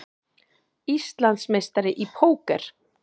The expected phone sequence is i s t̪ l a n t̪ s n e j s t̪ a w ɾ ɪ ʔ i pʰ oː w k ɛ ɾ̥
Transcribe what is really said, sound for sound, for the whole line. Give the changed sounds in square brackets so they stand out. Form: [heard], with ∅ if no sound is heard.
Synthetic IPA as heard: i s t̪ l a n t̪ s [m] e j s t̪ a [∅] ɾ ɪ ʔ i pʰ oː w k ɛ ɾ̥

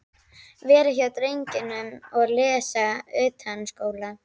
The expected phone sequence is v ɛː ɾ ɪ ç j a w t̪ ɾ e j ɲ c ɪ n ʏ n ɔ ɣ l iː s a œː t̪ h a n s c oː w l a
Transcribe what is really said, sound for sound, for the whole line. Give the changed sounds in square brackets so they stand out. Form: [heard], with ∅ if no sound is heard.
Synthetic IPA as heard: v ɛː ɾ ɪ ç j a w t̪ ɾ e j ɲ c ɪ n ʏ [m] ɔ ɣ l [ɛː] s a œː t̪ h a n s [k] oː w l a

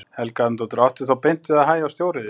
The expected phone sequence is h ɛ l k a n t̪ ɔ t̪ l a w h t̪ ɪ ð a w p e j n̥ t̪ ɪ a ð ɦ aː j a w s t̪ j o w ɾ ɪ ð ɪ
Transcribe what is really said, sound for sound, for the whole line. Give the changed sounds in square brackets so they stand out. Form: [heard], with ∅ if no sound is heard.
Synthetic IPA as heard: h ɛ l k a n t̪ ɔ t̪ [ɾ] a w h t̪ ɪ [θ] a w p e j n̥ t̪ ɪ a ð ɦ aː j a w s t̪ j o w ɾ ɪ ð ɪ

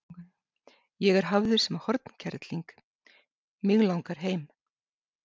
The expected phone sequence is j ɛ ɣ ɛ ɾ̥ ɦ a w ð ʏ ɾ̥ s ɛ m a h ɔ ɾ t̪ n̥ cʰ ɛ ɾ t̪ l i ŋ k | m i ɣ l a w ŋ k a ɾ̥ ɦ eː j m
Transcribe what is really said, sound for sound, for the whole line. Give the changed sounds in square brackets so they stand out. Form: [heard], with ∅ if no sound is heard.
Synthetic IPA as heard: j ɛ ɣ ɛ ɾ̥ ɦ a [v] ð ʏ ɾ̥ s ɛ m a h ɔ ɾ t̪ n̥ cʰ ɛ ɾ t̪ l i ŋ k | m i ɣ l a w ŋ k a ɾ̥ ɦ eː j m

